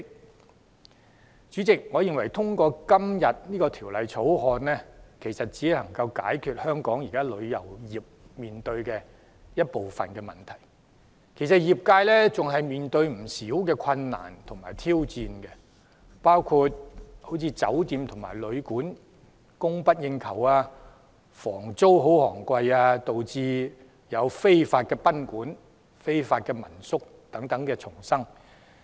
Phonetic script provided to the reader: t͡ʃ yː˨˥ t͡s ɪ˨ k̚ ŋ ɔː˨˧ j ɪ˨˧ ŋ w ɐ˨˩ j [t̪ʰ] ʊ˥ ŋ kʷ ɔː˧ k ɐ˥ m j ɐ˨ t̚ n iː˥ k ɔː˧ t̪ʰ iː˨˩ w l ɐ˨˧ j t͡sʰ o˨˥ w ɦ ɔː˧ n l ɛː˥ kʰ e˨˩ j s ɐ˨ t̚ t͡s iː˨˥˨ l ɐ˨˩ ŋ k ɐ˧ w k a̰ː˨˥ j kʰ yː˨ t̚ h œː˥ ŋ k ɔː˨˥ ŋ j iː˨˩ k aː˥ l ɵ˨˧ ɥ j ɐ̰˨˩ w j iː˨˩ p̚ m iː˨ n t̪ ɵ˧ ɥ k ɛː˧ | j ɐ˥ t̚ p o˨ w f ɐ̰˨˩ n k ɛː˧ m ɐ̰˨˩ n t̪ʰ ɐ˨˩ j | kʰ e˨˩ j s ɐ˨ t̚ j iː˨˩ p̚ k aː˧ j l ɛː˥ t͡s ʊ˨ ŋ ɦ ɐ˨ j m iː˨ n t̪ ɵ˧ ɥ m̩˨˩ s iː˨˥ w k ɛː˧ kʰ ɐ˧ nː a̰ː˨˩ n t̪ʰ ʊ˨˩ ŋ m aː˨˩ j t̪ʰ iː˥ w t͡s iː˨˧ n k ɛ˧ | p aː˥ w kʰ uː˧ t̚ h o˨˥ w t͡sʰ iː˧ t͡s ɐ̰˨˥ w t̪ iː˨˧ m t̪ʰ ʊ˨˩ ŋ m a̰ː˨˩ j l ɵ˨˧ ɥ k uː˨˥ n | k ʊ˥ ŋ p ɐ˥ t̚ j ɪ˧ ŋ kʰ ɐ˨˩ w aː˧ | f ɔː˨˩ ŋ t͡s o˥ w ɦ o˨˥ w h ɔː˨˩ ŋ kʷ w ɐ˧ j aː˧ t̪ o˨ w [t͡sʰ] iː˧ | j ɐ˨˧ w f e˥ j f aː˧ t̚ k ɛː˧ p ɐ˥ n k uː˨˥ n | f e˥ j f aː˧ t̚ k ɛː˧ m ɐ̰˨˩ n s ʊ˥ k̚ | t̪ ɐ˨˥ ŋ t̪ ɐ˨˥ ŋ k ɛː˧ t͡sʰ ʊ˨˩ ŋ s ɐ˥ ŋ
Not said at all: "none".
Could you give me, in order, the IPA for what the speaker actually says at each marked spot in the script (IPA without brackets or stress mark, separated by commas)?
t̪ʰ, t͡s